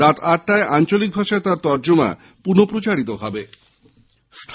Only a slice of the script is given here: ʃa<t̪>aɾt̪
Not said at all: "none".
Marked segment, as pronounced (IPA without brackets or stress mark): t̪